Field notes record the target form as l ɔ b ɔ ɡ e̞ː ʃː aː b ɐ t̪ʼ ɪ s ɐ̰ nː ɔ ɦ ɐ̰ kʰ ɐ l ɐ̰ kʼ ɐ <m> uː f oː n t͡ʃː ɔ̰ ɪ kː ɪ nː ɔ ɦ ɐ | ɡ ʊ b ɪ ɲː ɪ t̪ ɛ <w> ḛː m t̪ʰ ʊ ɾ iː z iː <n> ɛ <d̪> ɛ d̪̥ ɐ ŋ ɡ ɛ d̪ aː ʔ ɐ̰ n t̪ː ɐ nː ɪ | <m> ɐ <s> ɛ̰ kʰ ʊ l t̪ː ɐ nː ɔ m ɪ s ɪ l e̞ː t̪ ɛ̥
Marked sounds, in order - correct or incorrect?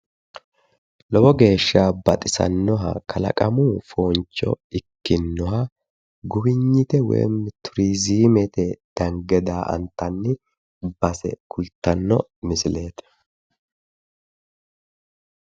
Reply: correct, correct, incorrect, incorrect, incorrect, correct

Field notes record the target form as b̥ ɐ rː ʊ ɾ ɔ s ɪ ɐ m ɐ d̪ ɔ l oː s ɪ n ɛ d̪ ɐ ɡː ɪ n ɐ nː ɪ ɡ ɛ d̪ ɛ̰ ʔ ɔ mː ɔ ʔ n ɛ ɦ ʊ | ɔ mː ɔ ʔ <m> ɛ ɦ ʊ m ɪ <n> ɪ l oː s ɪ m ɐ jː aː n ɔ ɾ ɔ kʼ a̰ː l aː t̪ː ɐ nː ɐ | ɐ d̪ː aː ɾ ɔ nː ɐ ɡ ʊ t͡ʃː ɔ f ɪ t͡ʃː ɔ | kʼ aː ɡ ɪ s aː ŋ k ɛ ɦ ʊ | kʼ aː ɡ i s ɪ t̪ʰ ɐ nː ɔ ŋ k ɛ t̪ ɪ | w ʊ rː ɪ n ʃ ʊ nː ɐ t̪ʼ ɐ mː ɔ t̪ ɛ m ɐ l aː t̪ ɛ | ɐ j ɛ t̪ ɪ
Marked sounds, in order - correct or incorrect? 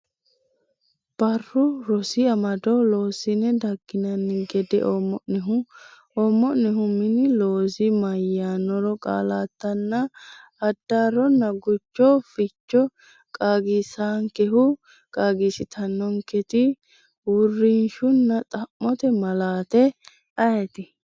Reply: incorrect, correct

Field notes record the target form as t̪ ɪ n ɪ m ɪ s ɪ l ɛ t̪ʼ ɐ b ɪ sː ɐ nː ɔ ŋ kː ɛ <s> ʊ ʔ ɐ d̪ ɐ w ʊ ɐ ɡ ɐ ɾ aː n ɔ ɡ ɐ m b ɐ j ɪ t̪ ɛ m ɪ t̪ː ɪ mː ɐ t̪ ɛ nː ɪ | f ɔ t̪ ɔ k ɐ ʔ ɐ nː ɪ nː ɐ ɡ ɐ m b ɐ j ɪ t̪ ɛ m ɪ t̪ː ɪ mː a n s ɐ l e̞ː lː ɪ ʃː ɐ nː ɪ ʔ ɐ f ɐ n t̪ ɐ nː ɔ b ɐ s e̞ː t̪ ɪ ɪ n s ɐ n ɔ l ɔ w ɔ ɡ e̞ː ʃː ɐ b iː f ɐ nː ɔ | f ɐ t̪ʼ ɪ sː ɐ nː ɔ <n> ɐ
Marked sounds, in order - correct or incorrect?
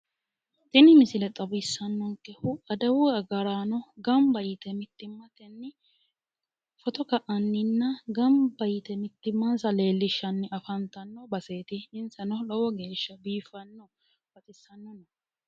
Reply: incorrect, correct

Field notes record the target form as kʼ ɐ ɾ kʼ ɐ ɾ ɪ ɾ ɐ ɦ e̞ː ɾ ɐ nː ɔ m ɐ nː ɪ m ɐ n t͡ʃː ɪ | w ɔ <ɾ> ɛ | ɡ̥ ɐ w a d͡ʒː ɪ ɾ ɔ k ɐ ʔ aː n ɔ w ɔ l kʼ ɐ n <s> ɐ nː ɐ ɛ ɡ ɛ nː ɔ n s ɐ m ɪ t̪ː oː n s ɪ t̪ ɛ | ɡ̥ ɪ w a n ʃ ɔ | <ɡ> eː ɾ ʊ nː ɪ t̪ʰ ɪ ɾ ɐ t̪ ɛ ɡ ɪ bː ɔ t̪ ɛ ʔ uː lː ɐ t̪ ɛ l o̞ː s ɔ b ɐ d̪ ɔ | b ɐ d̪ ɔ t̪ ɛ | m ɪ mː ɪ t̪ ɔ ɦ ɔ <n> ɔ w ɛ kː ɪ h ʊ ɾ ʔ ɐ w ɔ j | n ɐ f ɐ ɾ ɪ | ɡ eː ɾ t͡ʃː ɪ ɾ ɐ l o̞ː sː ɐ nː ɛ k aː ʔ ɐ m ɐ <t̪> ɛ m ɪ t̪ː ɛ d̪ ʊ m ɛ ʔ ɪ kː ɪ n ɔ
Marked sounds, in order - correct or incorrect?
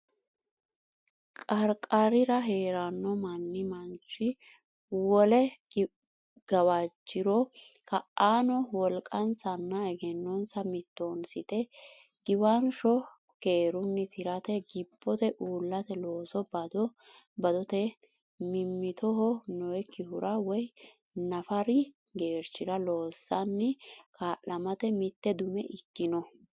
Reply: incorrect, correct, incorrect, correct, correct

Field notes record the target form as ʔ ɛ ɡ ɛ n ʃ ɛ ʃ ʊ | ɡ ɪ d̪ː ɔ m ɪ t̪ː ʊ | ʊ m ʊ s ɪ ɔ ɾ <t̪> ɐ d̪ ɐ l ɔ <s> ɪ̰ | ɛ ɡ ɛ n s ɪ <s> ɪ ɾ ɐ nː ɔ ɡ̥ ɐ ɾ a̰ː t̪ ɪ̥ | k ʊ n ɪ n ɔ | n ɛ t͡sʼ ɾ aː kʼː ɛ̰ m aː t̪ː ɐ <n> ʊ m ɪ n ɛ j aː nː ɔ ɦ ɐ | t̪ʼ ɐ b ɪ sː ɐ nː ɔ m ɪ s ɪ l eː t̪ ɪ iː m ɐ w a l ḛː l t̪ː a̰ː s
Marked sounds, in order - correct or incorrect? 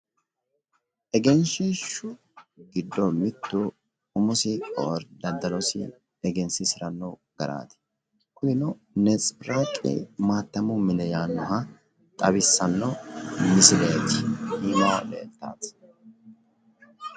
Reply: incorrect, correct, correct, incorrect

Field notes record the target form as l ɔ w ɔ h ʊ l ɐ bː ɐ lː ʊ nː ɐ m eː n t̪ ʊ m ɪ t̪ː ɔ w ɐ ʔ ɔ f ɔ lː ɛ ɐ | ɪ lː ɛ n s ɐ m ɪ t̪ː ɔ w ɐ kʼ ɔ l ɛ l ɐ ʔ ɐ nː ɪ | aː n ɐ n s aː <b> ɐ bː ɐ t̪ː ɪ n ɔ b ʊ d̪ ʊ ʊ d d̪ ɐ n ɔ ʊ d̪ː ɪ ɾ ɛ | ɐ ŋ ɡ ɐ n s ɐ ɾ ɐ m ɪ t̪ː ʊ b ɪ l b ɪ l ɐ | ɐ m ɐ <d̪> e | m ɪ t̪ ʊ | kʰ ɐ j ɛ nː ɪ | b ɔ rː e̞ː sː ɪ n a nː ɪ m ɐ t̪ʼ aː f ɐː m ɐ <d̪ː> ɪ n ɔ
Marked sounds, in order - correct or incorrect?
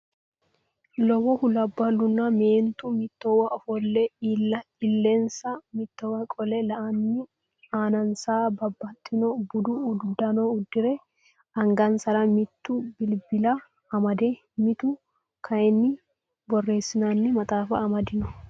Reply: correct, correct, incorrect

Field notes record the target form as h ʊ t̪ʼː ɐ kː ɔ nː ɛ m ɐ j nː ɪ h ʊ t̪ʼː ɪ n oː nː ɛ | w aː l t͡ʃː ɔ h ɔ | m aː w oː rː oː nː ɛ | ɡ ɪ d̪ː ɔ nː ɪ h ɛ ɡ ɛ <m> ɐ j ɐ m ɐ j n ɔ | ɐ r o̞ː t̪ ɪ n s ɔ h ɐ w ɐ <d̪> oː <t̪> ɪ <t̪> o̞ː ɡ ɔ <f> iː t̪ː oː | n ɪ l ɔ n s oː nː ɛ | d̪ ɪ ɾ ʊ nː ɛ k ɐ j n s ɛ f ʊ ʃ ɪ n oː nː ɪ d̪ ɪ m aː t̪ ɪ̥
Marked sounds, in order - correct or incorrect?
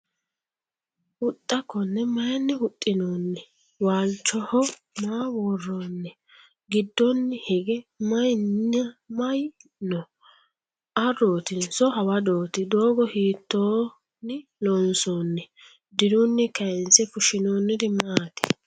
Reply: correct, correct, correct, incorrect, incorrect

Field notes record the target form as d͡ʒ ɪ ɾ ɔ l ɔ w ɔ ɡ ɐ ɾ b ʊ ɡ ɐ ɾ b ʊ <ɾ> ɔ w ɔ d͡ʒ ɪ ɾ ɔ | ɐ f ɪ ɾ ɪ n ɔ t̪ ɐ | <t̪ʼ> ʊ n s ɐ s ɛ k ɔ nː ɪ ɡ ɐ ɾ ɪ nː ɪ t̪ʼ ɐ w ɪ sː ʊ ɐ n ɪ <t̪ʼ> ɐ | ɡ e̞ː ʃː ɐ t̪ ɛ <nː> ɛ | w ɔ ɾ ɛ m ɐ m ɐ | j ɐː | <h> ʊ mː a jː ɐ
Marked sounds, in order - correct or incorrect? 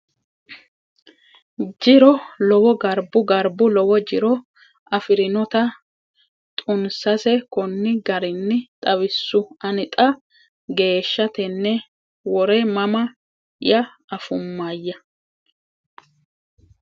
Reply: incorrect, correct, correct, correct, incorrect

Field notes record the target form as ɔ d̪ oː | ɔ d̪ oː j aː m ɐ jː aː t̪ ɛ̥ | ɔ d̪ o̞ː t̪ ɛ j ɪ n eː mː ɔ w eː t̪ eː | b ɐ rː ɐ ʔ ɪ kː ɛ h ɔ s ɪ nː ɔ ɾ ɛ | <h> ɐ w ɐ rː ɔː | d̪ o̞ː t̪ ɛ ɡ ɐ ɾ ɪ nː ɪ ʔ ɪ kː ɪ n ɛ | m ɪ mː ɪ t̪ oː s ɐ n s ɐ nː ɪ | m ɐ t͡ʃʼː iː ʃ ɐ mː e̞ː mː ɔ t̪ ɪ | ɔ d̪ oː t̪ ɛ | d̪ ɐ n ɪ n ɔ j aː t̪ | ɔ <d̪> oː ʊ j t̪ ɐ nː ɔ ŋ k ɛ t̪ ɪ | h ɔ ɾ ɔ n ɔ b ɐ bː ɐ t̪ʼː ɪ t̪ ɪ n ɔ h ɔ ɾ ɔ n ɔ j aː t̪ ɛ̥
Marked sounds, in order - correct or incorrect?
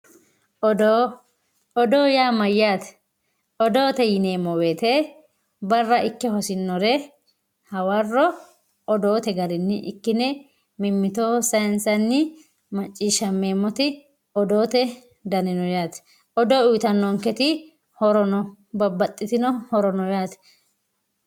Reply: correct, correct

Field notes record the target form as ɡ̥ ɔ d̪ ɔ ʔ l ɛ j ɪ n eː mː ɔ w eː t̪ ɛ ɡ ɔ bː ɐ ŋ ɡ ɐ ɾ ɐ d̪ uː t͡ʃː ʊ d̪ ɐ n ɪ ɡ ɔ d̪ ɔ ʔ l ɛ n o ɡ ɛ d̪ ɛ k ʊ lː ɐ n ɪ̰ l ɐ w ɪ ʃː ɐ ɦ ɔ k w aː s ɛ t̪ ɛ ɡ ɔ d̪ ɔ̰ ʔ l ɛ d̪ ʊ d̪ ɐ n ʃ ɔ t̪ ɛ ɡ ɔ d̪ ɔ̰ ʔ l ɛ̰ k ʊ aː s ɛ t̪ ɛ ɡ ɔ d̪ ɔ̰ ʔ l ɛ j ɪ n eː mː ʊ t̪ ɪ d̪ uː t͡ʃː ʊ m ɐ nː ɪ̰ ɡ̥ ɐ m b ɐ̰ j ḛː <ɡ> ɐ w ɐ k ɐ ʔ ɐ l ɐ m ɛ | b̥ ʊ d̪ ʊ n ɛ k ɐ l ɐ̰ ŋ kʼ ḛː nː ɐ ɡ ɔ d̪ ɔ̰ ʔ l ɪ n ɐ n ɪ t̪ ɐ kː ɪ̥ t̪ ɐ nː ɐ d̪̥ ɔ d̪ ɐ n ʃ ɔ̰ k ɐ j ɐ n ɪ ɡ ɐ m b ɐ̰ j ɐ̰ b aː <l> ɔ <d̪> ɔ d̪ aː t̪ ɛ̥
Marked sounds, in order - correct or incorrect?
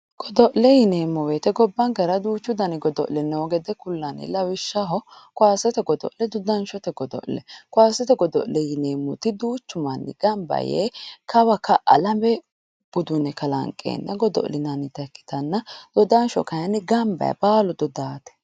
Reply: incorrect, correct, correct

